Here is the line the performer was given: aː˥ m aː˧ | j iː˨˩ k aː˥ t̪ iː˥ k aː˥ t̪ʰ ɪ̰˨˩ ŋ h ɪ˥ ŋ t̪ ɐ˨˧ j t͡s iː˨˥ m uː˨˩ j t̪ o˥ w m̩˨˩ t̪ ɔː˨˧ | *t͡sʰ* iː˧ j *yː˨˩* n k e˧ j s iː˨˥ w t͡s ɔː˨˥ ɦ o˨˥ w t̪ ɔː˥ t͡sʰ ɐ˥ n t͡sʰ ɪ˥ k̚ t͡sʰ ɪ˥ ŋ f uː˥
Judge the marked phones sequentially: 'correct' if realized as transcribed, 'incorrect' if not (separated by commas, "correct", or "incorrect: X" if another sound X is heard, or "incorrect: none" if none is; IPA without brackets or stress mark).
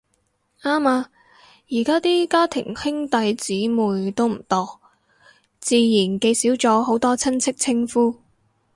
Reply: incorrect: t͡s, incorrect: iː˨˩